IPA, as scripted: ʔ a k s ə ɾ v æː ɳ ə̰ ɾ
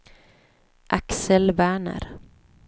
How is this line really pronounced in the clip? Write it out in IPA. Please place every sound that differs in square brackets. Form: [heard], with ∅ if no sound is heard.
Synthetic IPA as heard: ʔ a k s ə [l] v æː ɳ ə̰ ɾ